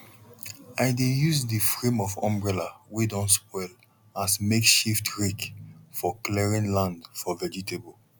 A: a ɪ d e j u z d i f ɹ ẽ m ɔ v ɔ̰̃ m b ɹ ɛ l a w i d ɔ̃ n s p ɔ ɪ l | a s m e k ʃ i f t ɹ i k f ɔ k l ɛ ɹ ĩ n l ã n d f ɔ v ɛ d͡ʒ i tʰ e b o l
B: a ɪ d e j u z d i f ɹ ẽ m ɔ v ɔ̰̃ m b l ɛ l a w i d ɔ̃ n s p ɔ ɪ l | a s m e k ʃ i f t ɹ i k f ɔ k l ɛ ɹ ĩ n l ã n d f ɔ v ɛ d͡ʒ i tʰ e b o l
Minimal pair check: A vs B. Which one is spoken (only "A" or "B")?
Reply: A